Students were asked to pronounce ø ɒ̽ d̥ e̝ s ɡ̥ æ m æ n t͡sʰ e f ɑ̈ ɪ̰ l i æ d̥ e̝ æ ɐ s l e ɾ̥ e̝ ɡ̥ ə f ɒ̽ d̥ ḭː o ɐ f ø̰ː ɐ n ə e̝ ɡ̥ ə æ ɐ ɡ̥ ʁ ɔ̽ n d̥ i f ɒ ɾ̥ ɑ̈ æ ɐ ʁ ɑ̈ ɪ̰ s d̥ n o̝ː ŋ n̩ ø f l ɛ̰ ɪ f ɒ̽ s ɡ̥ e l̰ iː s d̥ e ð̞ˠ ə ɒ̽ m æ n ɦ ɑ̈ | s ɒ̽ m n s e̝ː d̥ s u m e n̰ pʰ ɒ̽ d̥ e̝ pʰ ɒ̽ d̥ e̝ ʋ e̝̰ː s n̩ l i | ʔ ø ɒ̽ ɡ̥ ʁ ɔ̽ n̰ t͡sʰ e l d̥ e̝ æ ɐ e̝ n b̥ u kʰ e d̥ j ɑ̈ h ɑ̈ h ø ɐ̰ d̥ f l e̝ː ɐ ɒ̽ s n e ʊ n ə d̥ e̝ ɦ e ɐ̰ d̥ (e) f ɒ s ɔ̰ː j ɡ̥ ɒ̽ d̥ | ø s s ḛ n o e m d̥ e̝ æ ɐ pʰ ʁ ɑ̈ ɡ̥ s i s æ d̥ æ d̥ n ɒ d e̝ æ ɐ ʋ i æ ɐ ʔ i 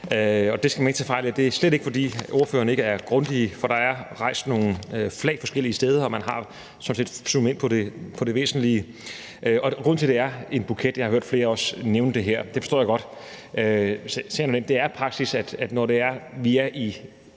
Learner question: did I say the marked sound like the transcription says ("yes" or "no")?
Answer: yes